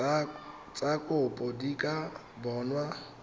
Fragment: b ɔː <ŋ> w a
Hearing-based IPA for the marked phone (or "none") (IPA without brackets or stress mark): n